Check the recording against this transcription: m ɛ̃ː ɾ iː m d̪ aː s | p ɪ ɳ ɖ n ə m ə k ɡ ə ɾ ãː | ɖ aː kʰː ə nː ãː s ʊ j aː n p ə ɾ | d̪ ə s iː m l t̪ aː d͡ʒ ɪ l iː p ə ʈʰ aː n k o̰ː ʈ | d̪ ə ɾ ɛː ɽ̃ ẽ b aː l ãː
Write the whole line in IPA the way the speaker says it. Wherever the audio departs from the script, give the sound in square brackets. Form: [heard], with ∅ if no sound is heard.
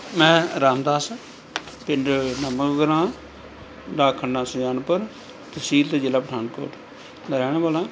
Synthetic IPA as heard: m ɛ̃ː ɾ [aː] m d̪ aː s | p ɪ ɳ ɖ n ə m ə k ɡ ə ɾ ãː | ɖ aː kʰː ə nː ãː s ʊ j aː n p ə ɾ | [t̪] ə s iː [∅] l t̪ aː d͡ʒ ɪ l [aː] p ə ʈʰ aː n k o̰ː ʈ | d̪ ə ɾ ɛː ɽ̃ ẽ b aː l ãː

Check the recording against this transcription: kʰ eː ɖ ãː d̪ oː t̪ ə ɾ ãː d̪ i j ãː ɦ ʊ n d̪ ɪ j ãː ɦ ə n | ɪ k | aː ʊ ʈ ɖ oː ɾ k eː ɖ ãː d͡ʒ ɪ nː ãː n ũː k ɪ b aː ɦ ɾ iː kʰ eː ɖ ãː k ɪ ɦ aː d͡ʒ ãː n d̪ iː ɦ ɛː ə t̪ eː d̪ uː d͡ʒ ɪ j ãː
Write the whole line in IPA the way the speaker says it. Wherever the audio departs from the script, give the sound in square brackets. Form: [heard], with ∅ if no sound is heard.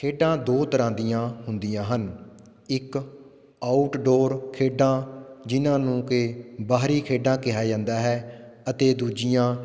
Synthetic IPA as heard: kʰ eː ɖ ãː d̪ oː t̪ ə ɾ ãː d̪ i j ãː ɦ ʊ n d̪ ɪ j ãː ɦ ə n | ɪ k | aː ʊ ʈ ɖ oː ɾ [kʰ] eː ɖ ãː d͡ʒ ɪ [n] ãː n ũː k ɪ b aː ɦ ɾ iː kʰ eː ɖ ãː k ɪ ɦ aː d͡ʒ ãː n d̪ [aː] ɦ ɛː ə t̪ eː d̪ uː d͡ʒ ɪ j ãː

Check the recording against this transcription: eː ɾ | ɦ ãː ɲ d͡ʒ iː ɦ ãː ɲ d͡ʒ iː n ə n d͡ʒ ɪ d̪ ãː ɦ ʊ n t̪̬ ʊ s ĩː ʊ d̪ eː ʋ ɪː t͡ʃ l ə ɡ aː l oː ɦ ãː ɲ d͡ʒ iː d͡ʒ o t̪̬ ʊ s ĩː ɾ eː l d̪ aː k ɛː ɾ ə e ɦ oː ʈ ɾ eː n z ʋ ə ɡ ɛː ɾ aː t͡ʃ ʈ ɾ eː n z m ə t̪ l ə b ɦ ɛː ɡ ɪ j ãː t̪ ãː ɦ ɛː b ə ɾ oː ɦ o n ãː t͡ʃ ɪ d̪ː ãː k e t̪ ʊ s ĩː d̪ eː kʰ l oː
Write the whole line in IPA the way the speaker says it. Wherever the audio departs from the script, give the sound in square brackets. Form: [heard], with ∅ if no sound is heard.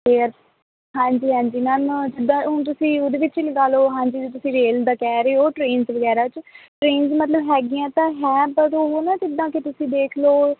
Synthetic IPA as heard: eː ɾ | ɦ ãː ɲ d͡ʒ iː ɦ ãː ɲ d͡ʒ iː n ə n d͡ʒ ɪ d̪ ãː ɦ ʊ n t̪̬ ʊ s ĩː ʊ d̪ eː ʋ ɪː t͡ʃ l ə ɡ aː l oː ɦ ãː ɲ d͡ʒ iː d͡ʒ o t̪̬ ʊ s ĩː ɾ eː l d̪ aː k ɛː ɾ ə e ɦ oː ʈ ɾ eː n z ʋ ə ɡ ɛː ɾ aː t͡ʃ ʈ ɾ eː n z m ə t̪ l ə b ɦ ɛː ɡ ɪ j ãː t̪ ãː ɦ ɛː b ə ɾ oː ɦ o n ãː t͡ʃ ɪ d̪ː ãː k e t̪ ʊ s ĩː d̪ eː kʰ l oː

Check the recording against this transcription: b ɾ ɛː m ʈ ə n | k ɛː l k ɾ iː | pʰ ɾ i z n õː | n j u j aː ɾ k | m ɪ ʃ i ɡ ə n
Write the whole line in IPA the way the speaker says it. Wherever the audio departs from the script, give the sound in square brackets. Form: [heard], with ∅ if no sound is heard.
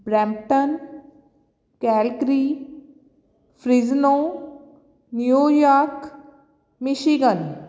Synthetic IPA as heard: b ɾ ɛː m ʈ ə n | k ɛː l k ɾ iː | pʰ ɾ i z n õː | n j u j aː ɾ k | m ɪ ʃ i ɡ ə n

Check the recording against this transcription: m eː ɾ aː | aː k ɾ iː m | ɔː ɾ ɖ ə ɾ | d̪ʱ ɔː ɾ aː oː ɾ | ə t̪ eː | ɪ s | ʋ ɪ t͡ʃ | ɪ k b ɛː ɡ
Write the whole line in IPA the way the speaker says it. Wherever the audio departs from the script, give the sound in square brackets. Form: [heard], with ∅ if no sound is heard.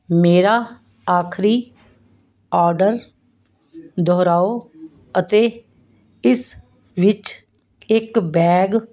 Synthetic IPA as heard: m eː ɾ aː | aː [kʰ] ɾ iː [∅] | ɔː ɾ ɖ ə ɾ | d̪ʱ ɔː ɾ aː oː [∅] | ə t̪ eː | ɪ s | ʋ ɪ t͡ʃ | ɪ k b ɛː ɡ

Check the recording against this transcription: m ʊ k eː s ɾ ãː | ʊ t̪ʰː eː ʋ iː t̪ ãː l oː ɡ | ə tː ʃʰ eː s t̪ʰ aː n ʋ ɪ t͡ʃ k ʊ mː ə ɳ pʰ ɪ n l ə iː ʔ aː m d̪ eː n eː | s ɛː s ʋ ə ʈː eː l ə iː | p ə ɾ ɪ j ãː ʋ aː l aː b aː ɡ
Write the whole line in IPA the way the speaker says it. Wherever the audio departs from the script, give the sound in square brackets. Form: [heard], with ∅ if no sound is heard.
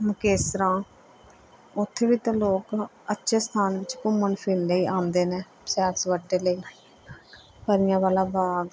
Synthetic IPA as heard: m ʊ k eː s ɾ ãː | ʊ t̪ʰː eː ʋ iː t̪ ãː l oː [k] | ə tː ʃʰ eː s t̪ʰ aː n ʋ ɪ t͡ʃ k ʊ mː ə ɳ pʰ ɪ n l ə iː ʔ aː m d̪ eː n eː | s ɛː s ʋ ə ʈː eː l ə iː | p ə ɾ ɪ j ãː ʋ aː l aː b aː ɡ

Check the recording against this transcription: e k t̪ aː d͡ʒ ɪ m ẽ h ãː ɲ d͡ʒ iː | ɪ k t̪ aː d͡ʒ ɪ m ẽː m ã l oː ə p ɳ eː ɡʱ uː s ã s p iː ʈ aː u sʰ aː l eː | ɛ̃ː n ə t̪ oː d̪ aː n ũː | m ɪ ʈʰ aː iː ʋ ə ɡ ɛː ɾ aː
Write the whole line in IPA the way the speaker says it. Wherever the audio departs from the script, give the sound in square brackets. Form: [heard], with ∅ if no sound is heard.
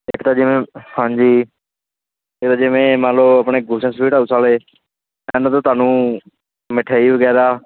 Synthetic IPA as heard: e k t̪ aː d͡ʒ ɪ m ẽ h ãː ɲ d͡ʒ iː | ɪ k t̪ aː d͡ʒ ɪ m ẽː m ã l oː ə p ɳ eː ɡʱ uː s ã s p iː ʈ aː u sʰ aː l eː | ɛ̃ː n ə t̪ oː [t̪] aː n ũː | m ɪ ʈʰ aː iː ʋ ə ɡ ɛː ɾ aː

